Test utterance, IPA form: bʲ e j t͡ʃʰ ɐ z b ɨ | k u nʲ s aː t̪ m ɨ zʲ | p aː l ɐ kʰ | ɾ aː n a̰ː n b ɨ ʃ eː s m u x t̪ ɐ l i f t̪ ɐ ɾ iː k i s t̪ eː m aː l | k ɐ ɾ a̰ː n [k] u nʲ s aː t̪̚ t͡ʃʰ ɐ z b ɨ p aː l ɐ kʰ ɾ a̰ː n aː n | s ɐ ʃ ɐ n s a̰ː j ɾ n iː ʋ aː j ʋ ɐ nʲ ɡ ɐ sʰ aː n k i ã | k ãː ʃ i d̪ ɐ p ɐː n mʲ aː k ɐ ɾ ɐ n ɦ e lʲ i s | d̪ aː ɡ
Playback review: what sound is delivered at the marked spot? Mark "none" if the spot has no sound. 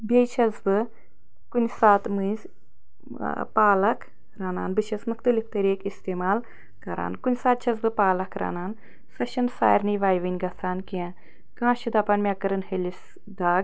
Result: k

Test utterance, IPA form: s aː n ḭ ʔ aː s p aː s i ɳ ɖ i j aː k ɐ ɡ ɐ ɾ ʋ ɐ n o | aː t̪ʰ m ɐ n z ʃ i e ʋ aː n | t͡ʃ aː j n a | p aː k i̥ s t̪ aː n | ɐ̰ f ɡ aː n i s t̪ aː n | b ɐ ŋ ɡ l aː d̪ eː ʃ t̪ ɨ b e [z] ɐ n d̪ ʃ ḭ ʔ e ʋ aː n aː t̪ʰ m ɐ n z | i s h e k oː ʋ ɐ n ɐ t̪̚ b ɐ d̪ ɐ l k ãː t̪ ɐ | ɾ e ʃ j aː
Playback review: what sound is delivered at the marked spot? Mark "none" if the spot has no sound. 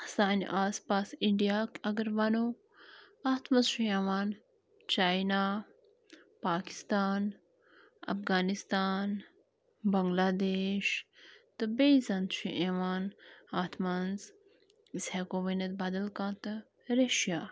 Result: z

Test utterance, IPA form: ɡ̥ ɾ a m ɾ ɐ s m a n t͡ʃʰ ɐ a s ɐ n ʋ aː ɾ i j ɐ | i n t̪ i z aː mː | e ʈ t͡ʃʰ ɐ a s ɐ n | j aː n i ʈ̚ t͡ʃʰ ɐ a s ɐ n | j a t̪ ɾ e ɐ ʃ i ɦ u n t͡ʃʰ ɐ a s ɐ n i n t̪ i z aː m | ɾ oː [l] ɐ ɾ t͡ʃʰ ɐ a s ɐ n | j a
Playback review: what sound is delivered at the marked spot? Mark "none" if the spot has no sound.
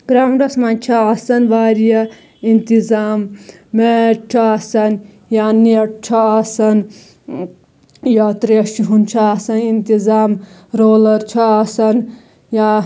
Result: l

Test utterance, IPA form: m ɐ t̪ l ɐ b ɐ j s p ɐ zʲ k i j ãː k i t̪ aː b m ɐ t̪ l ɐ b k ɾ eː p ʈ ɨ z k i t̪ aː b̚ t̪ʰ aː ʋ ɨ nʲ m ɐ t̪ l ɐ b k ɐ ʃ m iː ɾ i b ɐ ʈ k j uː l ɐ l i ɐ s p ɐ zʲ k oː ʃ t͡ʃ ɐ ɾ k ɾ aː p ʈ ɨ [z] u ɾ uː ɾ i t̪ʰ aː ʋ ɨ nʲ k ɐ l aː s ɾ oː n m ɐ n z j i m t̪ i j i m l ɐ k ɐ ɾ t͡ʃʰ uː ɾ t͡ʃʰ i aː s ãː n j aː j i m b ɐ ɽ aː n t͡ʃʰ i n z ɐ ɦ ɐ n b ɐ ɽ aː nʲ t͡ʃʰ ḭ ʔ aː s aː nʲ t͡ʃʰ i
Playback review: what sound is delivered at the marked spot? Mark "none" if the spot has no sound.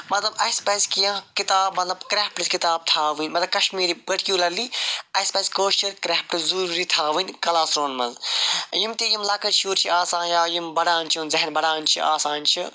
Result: z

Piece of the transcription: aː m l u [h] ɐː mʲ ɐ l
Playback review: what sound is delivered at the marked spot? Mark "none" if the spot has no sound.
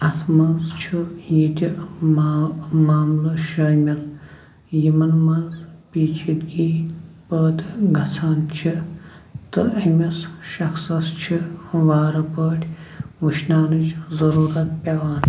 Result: ʃ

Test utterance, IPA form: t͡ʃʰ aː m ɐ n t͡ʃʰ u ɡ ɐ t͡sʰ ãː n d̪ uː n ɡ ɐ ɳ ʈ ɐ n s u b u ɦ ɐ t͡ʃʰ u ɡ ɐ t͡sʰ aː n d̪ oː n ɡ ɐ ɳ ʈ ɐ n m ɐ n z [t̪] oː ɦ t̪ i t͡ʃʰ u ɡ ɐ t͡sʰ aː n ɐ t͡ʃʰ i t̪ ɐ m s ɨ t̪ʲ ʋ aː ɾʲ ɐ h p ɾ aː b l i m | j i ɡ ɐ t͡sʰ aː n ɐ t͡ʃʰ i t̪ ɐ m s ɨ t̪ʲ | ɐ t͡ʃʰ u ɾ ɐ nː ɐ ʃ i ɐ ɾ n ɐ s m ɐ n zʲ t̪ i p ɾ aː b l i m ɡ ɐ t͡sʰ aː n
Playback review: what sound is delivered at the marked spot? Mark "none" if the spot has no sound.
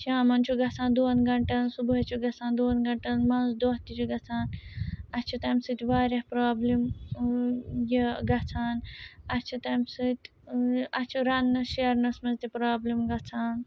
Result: d̪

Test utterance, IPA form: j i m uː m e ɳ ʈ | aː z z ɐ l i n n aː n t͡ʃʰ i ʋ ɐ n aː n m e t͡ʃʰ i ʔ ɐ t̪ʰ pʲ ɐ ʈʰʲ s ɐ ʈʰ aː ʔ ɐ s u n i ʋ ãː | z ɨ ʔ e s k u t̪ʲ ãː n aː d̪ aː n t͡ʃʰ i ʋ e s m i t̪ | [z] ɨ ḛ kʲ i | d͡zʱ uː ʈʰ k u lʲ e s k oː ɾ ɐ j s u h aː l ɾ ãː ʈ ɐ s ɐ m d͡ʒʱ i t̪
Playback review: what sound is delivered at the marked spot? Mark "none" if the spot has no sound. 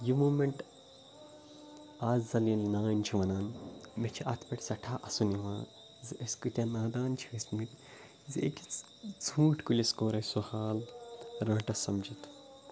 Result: z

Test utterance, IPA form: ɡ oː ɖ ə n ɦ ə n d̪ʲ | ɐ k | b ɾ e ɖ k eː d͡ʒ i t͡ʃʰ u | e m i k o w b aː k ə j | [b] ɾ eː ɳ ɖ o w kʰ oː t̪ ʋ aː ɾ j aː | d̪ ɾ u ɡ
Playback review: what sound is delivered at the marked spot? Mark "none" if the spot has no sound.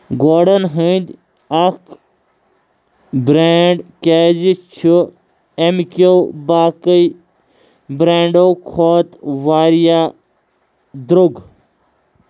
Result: b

